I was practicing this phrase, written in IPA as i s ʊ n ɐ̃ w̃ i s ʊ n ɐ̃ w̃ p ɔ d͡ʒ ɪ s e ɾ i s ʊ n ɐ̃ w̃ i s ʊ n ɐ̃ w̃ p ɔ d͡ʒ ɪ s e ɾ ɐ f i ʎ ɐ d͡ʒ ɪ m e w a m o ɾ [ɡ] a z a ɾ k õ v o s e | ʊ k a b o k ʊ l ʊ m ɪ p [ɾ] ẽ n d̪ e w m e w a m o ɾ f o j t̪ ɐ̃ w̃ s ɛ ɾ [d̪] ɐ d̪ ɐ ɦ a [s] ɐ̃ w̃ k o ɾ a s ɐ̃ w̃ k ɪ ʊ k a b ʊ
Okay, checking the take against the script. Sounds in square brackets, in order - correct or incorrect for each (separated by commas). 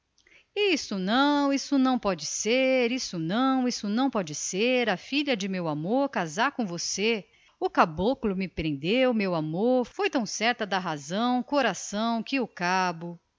incorrect, correct, incorrect, incorrect